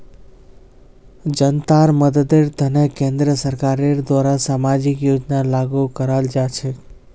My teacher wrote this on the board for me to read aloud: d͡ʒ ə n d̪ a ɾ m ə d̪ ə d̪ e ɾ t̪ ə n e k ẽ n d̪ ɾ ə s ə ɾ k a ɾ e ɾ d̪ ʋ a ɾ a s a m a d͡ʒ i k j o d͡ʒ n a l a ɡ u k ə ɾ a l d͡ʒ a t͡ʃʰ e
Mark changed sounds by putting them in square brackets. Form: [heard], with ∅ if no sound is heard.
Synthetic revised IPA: d͡ʒ ə n [t̪] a ɾ m ə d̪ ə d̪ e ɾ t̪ ə n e k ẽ n d̪ ɾ ə s ə ɾ k a ɾ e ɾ d̪ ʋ a ɾ a s a m a d͡ʒ i k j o d͡ʒ n a l a ɡ u k ə ɾ a l d͡ʒ a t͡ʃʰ e

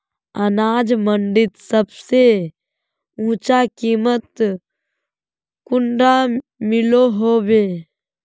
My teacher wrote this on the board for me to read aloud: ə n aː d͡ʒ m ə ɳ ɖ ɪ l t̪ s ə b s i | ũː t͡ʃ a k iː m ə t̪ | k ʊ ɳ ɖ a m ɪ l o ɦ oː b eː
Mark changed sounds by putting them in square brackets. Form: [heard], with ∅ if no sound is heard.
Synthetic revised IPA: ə n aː d͡ʒ m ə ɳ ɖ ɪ [∅] t̪ s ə b s [e] | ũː t͡ʃ a k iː m ə t̪ | k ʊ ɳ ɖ a m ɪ l o ɦ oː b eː

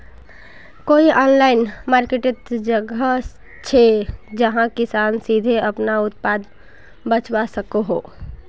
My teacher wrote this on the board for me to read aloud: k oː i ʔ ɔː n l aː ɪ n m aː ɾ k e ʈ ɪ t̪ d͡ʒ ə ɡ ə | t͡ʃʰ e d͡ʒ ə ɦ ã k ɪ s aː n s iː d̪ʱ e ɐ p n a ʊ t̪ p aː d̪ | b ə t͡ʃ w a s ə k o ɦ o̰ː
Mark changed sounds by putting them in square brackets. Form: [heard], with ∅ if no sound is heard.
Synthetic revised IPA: k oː i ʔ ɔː n l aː ɪ n m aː ɾ k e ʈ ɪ t̪ d͡ʒ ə ɡ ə | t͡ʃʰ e d͡ʒ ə ɦ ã k ɪ s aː n s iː d̪ʱ e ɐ p n a ʊ t̪ p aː d̪ | b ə t͡ʃ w a s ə k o ɦ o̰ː

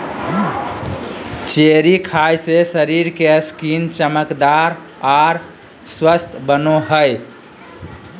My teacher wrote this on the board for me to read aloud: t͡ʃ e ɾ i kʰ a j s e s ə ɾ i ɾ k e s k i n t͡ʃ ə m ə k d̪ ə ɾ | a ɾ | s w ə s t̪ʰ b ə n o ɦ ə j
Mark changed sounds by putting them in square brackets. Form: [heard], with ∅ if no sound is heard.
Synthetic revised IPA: t͡ʃ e ɾ i kʰ a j s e s ə ɾ i ɾ k e s k i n t͡ʃ ə m ə k d̪ [a] ɾ | a ɾ | s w ə s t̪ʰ b ə n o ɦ ə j

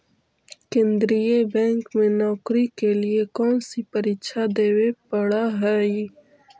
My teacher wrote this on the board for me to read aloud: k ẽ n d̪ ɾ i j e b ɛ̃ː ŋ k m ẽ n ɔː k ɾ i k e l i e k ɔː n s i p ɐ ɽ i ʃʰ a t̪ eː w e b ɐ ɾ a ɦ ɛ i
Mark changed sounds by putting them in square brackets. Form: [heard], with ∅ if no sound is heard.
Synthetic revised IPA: k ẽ n d̪ ɾ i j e b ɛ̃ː ŋ k m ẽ n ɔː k ɾ i k e l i e k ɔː n s i p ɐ [ɾ] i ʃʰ a [d̪] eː w e [p] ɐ [ɽ] a ɦ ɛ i

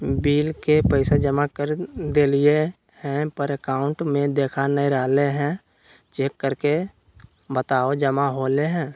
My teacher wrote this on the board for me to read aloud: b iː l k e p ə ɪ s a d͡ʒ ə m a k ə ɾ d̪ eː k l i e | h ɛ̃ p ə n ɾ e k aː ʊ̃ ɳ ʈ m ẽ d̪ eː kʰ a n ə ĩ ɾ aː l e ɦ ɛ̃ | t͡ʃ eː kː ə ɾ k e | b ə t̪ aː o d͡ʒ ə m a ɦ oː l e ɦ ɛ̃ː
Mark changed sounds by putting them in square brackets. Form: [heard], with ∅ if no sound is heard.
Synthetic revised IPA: b iː l k e p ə ɪ s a d͡ʒ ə m a k ə ɾ d̪ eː [∅] l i e | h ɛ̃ p ə [∅] ɾ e k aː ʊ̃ ɳ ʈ m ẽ d̪ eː kʰ a n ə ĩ ɾ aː l e ɦ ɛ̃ | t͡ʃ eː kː ə ɾ k e | b ə t̪ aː o d͡ʒ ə m a ɦ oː l e ɦ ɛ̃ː

